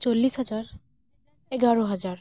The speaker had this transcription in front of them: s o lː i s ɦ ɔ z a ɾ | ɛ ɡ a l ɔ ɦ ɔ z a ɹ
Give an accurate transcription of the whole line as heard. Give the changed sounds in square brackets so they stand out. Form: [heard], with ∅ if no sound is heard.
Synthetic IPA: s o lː i s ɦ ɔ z a [ɹ] | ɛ ɡ a [ɹ] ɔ ɦ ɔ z a ɹ